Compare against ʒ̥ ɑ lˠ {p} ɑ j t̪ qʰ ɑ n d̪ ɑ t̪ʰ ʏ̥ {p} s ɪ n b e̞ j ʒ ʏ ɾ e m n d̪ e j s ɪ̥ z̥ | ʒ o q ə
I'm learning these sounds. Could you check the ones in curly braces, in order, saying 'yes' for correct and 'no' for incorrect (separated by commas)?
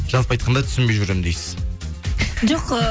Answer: yes, no